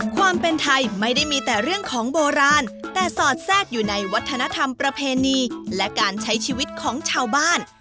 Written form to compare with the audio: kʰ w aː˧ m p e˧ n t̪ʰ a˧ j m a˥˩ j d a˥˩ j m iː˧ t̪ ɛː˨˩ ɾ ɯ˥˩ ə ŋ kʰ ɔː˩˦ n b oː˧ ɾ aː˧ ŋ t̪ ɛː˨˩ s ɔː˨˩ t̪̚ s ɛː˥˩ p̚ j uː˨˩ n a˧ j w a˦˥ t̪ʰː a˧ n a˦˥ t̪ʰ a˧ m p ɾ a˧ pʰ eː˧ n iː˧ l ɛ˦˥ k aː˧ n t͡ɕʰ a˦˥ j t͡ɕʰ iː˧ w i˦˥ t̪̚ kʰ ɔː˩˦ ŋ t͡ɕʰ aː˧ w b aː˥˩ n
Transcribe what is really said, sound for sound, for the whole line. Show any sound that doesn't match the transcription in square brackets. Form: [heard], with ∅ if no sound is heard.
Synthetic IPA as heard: kʰ w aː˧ m p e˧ n t̪ʰ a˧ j m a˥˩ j d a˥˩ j m iː˧ t̪ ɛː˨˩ ɾ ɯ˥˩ ə ŋ kʰ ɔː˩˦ [ŋ] b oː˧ ɾ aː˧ [n] t̪ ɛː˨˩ s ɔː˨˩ t̪̚ s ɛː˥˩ [k̚] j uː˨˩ n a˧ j w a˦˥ t̪ʰː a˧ n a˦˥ t̪ʰ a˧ m p ɾ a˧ pʰ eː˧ n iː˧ l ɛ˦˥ k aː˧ n t͡ɕʰ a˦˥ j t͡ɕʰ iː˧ w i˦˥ t̪̚ kʰ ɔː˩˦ ŋ t͡ɕʰ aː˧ w b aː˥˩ n